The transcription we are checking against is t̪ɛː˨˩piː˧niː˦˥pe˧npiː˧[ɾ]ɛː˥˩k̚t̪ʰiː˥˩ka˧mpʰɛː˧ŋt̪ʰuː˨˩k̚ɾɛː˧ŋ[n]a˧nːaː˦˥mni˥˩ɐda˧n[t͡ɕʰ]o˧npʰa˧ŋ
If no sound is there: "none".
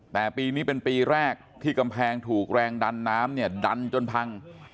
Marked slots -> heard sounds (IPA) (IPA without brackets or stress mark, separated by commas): ɾ, d, t͡ɕ